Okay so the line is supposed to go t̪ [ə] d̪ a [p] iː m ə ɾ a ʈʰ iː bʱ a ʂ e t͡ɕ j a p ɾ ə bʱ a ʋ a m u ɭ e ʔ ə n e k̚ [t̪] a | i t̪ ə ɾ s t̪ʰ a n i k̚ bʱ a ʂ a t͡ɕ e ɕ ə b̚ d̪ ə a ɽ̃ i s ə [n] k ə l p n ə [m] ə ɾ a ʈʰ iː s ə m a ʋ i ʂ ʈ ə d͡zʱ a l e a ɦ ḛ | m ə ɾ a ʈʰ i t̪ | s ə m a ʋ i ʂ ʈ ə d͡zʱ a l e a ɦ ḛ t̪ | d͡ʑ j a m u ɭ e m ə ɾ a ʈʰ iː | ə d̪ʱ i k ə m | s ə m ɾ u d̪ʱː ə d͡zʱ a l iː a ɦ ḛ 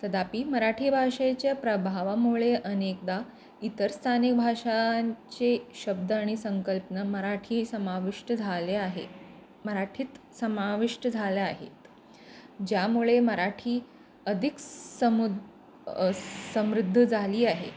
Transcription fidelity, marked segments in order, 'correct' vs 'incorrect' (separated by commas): correct, correct, incorrect, incorrect, correct